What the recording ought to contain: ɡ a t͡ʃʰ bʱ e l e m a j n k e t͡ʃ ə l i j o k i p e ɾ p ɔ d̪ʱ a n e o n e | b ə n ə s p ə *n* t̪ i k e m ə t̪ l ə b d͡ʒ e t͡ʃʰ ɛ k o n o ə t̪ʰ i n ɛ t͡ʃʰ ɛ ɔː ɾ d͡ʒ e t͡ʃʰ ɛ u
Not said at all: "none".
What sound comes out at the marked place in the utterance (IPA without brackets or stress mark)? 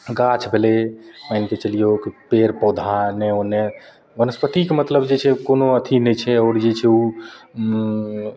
none